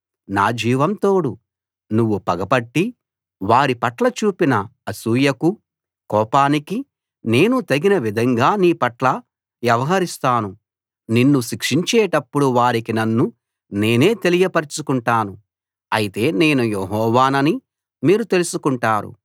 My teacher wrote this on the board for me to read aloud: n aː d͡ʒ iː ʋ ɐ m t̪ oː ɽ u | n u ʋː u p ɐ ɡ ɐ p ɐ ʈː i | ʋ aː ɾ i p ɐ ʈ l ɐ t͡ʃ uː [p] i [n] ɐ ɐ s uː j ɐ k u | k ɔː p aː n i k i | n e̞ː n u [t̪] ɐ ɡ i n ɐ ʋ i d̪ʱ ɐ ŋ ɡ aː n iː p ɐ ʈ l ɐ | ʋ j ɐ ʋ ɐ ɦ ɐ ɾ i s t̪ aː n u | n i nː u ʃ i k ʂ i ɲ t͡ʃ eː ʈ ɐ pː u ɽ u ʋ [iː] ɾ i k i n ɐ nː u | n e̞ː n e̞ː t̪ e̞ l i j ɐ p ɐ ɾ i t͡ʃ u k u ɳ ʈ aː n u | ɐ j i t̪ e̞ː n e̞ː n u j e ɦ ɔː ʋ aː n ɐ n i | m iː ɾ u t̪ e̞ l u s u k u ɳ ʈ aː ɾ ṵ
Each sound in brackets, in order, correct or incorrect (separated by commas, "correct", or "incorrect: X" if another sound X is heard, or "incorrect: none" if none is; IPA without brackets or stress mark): correct, correct, correct, incorrect: aː